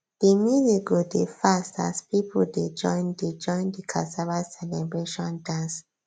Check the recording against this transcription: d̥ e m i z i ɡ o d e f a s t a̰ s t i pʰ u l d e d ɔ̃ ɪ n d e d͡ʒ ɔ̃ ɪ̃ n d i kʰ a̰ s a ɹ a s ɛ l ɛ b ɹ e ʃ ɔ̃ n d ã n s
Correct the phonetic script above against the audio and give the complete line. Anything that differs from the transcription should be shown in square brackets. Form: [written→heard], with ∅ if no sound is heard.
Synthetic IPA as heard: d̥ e m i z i ɡ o d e f a s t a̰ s [t→p] i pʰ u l d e [d→d͡ʒ] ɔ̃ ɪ n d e d͡ʒ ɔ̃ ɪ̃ n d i kʰ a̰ s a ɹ a s ɛ l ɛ b ɹ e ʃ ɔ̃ n d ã n s